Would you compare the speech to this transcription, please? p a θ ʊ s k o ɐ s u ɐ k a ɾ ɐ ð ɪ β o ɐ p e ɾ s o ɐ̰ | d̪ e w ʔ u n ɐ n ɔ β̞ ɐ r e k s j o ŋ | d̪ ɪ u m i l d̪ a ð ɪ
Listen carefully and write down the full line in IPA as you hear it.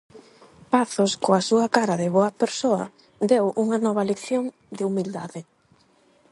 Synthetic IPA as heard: p a θ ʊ s k o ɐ s u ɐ k a ɾ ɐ ð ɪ β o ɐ p e ɾ s o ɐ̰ | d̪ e w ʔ u ŋ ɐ n ɔ β̞ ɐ l e k θ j o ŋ | d̪ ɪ u m i l d̪ a ð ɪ